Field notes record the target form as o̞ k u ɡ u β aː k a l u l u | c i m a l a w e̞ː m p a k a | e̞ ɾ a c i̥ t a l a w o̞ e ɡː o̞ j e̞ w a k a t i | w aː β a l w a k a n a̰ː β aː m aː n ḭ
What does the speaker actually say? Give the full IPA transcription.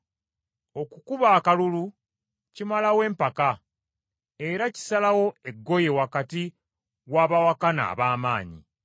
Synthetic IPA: o̞ k u k u β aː k a l u l u | c i m a l a w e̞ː m p a k a | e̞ ɾ a c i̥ s a l a w o̞ e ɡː o̞ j e̞ w a k a t i | w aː β a w a k a n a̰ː β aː m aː ɲ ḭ